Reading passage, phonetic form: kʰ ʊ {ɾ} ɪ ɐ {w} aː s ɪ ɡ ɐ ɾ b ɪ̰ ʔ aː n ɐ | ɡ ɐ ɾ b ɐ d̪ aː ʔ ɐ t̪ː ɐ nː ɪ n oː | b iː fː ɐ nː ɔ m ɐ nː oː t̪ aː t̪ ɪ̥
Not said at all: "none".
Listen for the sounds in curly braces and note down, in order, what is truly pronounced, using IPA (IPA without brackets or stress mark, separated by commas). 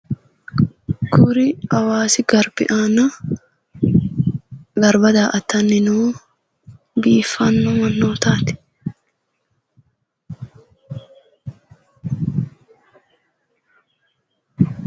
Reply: ɾ, w